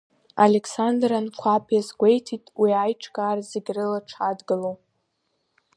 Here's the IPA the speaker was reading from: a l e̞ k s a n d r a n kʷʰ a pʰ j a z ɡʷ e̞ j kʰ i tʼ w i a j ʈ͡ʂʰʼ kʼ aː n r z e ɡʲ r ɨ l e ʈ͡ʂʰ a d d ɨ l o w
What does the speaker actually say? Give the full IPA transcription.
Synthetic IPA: a l e̞ k s a n d r a n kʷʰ a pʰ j a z ɡʷ e̞ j tʰ i tʼ w i a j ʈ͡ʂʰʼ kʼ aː r z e ɡʲ r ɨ l a ʈ͡ʂʰ a d ɡ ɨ l o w

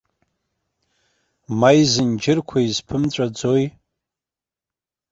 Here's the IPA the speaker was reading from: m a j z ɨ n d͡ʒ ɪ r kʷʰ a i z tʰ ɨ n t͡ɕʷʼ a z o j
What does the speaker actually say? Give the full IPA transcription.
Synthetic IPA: m a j z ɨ n d͡ʒ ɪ r kʷʰ a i z pʰ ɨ m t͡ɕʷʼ a d͡z o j

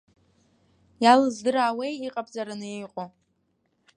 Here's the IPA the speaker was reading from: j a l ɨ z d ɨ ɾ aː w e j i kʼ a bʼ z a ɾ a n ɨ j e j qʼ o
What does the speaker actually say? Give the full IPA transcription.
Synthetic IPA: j a l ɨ z d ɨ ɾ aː w e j i qʼ a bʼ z a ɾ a n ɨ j e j qʼ o

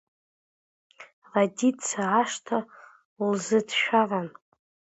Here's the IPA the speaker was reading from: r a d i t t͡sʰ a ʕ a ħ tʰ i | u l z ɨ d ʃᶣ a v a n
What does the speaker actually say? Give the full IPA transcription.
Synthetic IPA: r a d i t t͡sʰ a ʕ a ʂ tʰ a | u l z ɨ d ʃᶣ a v a n

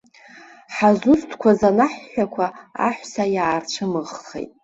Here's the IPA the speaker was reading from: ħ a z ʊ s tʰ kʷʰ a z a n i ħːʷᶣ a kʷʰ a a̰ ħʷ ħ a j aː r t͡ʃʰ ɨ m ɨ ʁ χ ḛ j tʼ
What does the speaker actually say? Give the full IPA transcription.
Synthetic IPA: ħ a z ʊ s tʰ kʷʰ a z a n a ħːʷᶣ a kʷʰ a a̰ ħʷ s a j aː r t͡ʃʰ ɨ m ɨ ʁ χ ḛ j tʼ

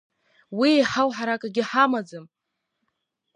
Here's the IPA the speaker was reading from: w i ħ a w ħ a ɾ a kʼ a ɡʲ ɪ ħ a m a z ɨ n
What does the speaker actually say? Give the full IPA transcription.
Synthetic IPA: w i ħ a w ħ a ɾ a kʼ a ɡʲ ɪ ħ a m a d͡z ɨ m

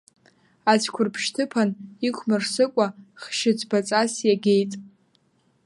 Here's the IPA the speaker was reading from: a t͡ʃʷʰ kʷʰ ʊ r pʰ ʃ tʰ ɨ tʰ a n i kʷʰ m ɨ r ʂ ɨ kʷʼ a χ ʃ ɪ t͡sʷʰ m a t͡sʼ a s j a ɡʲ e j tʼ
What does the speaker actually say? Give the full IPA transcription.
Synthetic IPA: a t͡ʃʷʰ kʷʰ ʊ r pʰ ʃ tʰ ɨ pʰ a n i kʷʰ m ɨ r s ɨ kʷʼ a χ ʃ ɪ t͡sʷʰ b a t͡sʼ a s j a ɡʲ e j tʼ

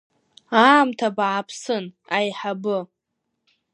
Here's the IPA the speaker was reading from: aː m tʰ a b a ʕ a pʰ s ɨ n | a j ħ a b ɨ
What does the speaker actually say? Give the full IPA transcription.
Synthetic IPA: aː m tʰ a b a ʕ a pʰ s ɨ n | a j ħ a b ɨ

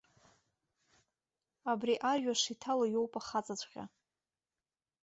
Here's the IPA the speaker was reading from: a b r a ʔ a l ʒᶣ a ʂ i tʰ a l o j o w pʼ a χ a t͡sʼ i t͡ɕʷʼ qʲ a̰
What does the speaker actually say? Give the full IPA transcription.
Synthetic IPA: a b r i ʔ a r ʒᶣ a ʂ i tʰ a l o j o w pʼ a χ a t͡sʼ a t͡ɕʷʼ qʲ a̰

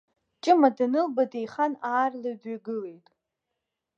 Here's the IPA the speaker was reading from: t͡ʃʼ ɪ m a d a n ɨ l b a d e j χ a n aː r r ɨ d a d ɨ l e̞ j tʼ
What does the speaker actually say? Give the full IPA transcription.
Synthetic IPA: t͡ʃʼ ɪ m a d a n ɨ l b a d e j χ a n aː r l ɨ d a ɡ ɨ l e̞ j tʼ

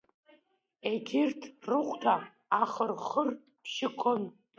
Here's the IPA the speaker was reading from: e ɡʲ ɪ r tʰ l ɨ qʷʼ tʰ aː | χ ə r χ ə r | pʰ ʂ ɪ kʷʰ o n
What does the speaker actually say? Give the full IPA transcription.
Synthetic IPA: e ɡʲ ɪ r tʰ r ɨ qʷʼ tʰ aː | χ ə r χ ə r | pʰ ʃ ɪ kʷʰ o n

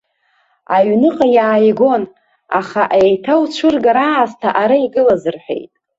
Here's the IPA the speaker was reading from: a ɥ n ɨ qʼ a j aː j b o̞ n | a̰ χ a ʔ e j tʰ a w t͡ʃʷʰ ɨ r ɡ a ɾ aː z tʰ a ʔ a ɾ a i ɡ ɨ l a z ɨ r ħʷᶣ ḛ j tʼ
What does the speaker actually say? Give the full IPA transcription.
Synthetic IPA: a ɥ n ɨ qʼ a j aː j ɡ o̞ n | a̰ χ a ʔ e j tʰ a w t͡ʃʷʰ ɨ r ɡ a ɾ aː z tʰ a ʔ a ɾ a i ɡ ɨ l a z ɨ r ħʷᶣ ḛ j tʼ

